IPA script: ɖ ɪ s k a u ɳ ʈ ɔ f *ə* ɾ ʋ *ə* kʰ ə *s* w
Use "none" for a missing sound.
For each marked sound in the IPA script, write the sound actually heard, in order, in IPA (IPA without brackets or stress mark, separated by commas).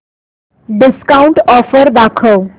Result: ə, a, none